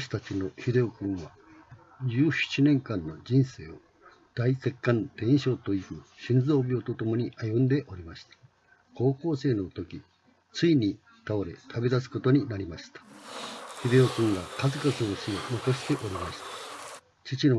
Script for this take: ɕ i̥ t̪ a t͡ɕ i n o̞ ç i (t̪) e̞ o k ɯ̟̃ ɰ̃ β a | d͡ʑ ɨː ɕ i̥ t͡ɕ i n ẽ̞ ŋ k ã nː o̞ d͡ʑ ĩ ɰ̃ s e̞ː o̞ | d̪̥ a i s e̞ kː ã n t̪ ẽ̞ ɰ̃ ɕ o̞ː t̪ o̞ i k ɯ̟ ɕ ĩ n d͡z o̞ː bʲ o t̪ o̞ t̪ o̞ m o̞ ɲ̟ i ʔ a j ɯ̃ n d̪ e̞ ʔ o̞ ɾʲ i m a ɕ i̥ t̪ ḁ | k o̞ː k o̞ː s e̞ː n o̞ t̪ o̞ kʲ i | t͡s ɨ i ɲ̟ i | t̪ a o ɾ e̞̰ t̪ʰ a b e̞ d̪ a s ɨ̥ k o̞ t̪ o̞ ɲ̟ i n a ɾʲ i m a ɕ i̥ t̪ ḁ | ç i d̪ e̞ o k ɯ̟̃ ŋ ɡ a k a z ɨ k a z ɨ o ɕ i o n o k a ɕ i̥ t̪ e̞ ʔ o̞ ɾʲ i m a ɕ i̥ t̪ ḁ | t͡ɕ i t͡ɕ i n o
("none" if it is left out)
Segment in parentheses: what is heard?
d̪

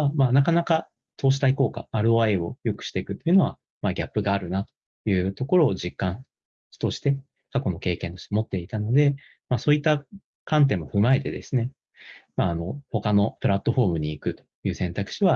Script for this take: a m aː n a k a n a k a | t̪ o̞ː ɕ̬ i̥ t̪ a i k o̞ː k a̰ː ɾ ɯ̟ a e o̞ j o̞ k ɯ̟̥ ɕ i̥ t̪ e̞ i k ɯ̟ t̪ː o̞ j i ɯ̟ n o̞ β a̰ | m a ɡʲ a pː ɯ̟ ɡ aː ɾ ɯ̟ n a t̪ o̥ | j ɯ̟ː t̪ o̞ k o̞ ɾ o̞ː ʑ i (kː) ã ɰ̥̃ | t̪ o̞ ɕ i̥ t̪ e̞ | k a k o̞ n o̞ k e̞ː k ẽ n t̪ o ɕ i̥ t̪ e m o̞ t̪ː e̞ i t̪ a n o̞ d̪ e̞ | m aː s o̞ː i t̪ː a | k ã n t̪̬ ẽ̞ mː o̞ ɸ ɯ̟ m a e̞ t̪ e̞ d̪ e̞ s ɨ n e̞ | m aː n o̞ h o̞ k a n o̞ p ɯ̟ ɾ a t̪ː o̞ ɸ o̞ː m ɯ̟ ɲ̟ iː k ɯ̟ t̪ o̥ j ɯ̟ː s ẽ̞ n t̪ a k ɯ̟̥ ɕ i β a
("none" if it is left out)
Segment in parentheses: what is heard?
kː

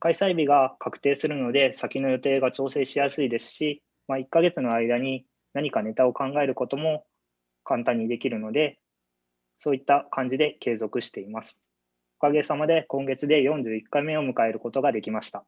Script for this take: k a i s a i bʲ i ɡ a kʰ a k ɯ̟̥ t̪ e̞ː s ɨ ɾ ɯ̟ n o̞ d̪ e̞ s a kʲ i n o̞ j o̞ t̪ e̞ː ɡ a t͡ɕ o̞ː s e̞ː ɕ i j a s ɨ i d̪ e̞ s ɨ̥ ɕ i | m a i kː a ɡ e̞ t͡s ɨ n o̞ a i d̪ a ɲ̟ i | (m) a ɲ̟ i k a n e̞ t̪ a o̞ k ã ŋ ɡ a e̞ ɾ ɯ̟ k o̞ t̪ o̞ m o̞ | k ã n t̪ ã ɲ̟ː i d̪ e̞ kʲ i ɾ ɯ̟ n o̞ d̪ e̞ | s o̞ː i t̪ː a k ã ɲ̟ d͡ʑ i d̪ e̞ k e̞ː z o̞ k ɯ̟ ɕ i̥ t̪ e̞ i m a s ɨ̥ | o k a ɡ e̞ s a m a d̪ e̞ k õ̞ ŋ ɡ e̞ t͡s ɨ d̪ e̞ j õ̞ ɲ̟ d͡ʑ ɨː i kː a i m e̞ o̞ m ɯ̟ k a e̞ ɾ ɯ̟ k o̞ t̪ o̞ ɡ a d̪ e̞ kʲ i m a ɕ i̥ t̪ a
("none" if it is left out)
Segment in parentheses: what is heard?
n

